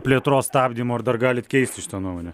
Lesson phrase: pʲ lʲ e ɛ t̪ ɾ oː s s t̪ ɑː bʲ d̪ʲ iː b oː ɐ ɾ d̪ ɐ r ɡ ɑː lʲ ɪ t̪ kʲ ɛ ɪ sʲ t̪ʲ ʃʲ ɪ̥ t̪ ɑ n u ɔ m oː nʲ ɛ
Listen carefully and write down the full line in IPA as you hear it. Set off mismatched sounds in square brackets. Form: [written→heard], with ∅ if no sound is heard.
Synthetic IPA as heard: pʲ lʲ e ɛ t̪ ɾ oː s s t̪ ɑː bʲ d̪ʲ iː [b→m] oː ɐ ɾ d̪ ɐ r ɡ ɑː lʲ ɪ t̪ kʲ ɛ ɪ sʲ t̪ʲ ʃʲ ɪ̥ t̪ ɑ n u ɔ m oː nʲ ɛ